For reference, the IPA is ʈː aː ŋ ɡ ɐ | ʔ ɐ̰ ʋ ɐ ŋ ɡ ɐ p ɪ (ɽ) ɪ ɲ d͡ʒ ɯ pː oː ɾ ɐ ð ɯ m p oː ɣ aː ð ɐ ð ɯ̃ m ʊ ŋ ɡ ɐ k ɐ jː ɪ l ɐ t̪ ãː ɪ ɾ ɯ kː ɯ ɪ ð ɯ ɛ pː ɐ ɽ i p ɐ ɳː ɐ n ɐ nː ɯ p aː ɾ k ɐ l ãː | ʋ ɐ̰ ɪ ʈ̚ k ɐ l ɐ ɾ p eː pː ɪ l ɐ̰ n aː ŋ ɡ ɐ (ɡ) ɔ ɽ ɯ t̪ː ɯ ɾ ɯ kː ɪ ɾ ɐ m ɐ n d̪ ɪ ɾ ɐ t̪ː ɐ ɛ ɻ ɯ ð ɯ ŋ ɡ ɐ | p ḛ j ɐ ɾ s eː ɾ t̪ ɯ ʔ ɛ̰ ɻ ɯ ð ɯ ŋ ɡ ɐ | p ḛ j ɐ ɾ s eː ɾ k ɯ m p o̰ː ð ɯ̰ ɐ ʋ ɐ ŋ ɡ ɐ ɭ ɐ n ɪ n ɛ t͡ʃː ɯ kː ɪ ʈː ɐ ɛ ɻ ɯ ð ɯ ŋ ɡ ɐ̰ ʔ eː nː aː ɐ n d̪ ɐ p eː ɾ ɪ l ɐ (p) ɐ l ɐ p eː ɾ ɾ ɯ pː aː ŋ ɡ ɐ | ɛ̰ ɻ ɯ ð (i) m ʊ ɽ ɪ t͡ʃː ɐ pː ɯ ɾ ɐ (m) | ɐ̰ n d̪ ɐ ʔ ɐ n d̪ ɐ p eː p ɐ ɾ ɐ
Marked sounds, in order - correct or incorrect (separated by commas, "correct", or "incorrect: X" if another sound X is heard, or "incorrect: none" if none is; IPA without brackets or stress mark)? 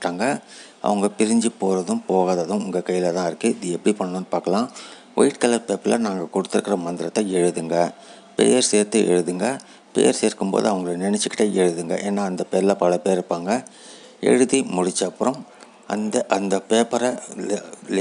incorrect: ɾ, incorrect: k, correct, correct, correct